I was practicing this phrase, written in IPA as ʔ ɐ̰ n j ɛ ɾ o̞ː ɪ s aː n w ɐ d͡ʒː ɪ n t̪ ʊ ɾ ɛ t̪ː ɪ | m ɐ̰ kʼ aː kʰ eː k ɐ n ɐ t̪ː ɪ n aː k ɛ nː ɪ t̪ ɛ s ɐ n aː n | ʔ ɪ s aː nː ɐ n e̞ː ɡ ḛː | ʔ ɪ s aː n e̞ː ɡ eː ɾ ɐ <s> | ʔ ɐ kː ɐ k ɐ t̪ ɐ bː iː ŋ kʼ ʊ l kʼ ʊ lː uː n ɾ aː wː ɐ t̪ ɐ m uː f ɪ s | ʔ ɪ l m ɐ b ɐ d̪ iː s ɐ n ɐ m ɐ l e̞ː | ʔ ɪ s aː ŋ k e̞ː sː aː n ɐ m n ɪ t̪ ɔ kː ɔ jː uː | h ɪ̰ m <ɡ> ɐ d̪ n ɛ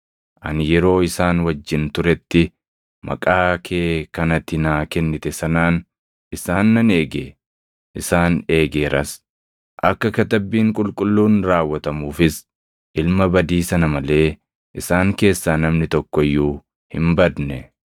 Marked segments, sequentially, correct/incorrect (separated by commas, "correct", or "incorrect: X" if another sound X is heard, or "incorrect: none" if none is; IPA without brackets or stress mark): correct, incorrect: b